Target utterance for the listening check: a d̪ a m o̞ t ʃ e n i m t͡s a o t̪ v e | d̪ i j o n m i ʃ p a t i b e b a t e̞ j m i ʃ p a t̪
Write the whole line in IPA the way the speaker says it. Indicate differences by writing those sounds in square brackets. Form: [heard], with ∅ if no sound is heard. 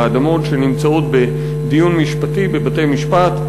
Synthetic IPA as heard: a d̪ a m o̞ t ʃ e n i m t͡s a o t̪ [b] e | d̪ i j [u] n m i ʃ p a t i b e b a t e̞ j m i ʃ p a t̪